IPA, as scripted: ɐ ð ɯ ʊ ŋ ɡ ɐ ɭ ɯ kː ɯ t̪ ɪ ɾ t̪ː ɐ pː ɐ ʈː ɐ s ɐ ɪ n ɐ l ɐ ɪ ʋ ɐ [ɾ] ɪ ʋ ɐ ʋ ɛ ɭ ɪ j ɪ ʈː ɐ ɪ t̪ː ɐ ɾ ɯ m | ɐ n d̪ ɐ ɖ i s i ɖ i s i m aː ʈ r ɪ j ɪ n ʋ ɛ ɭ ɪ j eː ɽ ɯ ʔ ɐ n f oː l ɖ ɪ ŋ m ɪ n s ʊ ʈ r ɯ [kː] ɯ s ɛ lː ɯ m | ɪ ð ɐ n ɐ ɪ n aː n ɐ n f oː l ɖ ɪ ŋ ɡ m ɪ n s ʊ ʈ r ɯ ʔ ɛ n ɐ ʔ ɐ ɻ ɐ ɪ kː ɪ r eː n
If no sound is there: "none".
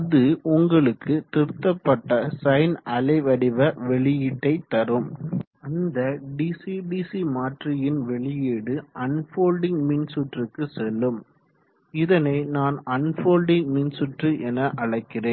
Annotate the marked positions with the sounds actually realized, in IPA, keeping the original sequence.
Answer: ɽ, kː

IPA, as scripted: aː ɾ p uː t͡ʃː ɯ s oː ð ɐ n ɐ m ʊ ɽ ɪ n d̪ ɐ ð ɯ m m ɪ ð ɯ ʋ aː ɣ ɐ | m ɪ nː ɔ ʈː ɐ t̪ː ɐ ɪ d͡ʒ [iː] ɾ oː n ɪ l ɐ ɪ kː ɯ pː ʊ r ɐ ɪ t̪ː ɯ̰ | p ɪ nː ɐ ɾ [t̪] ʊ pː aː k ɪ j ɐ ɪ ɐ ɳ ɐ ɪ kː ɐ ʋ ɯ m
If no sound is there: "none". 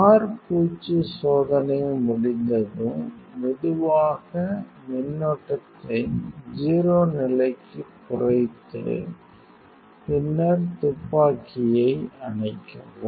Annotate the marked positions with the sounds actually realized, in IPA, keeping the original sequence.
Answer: iː, t̪

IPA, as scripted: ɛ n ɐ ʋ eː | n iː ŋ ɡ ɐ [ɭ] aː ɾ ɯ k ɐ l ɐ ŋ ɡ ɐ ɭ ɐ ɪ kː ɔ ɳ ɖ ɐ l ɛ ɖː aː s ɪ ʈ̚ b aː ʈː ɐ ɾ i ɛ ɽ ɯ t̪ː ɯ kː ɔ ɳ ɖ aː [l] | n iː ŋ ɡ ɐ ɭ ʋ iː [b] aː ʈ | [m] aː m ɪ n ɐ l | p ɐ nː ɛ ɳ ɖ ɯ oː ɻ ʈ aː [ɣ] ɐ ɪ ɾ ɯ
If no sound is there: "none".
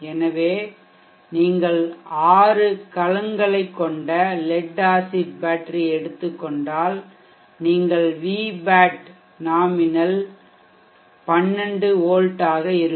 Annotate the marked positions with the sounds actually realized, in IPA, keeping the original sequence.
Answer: ɭ, l, b, n, ɣ

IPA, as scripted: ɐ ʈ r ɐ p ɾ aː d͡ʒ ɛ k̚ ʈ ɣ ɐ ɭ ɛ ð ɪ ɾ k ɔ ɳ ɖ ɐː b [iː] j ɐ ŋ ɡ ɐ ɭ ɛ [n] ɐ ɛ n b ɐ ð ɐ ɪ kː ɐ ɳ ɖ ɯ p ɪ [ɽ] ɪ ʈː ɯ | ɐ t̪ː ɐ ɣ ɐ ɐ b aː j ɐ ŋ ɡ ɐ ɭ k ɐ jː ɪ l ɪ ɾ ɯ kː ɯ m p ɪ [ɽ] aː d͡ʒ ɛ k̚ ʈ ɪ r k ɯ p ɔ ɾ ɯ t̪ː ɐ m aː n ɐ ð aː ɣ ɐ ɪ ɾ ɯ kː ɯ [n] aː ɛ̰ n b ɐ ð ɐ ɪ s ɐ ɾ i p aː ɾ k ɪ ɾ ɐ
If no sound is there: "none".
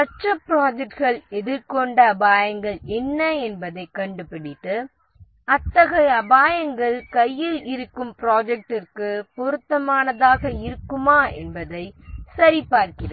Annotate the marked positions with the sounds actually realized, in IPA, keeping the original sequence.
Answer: aː, nː, ɽ, ɾ, m

